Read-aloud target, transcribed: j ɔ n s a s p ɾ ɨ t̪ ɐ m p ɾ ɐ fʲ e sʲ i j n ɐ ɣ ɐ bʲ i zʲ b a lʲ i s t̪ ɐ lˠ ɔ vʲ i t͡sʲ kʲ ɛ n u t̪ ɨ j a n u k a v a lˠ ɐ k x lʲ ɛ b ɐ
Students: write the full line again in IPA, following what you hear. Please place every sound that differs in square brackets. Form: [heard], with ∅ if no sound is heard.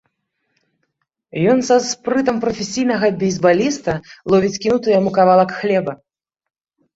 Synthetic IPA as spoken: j ɔ n s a s p ɾ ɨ t̪ ɐ m p ɾ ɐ fʲ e sʲ i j n ɐ ɣ ɐ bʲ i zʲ b a lʲ i s t̪ ɐ lˠ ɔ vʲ i t͡sʲ kʲ [i] n u t̪ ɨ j a [m] u k a v a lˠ ɐ k x lʲ ɛ b ɐ